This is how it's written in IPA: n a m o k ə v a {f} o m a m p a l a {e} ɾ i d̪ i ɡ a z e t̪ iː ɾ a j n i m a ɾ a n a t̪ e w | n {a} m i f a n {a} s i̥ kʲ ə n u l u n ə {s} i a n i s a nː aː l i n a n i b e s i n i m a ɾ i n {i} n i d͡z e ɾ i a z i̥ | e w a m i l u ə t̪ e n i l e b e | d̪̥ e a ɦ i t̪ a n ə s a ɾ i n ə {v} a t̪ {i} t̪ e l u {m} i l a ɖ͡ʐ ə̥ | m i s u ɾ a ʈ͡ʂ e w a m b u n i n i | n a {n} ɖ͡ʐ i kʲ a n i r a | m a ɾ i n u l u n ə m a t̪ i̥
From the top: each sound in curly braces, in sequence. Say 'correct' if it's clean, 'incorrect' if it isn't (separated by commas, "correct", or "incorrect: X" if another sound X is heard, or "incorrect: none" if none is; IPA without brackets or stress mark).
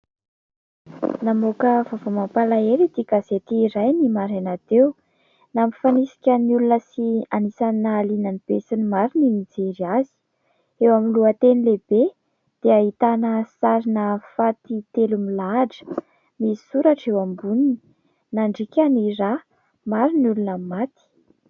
incorrect: v, correct, correct, incorrect: i, correct, correct, incorrect: f, correct, correct, incorrect: ɳ